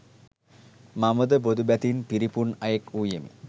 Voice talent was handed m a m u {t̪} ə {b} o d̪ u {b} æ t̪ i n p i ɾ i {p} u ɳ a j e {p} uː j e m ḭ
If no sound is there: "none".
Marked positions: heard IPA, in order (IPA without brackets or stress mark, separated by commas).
d̪, b, b, p, k